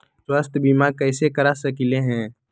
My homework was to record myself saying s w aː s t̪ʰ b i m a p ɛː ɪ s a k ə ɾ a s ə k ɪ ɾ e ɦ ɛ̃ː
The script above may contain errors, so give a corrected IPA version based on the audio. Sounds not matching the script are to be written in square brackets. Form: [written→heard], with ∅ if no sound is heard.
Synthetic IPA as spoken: s w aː s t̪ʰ b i m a [p→k] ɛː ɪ s [a→e] k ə ɾ a s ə k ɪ [ɾ→l] e ɦ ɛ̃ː